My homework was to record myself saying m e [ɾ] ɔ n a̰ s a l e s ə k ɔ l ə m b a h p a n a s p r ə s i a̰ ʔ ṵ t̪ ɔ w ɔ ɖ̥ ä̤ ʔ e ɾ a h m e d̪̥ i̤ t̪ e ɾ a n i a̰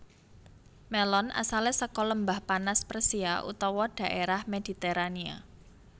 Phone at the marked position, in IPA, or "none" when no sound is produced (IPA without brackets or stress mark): l